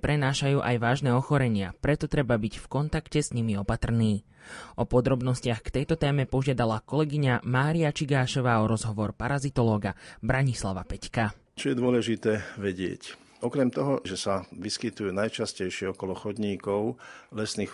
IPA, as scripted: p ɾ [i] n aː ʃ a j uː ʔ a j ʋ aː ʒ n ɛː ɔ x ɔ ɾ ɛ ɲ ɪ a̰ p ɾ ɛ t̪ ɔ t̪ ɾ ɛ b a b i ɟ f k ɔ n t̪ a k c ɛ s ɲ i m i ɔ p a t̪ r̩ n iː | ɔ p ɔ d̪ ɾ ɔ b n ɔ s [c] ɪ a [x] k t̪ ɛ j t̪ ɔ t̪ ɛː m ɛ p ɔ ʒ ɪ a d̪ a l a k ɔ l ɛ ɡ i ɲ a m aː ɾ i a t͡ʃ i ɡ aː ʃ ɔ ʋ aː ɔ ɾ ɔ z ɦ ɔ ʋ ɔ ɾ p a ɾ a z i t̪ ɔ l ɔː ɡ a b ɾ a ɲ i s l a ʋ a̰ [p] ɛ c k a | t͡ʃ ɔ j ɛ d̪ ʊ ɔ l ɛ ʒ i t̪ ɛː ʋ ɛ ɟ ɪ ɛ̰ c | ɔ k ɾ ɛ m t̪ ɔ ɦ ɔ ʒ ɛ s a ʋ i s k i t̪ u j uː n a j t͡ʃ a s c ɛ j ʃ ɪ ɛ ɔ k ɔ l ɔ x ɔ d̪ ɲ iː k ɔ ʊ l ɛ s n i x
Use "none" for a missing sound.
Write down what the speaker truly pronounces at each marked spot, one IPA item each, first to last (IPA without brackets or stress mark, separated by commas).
ɛ, c, x, p